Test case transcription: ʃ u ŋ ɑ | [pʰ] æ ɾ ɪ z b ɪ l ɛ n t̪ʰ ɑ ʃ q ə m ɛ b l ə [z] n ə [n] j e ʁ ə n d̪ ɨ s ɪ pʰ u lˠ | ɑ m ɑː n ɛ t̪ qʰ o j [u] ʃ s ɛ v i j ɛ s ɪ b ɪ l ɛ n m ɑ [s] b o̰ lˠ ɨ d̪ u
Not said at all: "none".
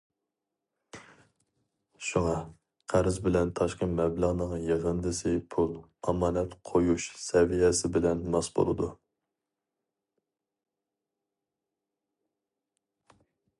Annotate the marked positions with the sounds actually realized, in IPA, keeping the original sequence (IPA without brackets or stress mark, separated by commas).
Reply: qʰ, ʁ, ŋ, u, s